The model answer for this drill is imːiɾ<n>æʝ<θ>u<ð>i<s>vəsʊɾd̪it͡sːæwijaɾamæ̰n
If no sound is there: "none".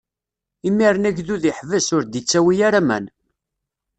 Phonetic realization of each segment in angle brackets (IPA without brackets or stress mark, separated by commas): n, ð, ð, ħ